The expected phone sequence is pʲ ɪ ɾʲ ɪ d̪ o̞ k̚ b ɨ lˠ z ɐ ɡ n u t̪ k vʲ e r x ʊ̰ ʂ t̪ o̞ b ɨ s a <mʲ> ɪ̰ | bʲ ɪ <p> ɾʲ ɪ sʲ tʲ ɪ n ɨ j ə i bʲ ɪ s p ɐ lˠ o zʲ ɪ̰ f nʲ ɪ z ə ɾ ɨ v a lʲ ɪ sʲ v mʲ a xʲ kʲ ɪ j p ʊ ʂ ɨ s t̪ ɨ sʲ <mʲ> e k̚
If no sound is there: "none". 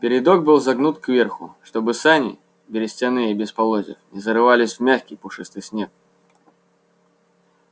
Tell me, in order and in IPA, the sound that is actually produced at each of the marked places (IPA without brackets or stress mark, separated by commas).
nʲ, none, nʲ